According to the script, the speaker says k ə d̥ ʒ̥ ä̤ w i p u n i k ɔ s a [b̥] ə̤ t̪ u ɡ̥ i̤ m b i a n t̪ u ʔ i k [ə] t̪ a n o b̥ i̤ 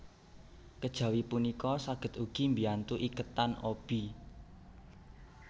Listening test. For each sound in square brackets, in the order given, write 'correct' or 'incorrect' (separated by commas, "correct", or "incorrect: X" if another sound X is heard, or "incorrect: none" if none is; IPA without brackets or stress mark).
incorrect: ɡ̥, correct